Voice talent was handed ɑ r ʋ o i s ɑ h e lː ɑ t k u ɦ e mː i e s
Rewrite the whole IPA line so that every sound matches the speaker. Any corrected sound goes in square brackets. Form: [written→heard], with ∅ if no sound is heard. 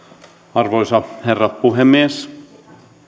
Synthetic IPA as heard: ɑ r ʋ o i s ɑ h e [lː→rː] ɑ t [k→p] u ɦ e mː i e s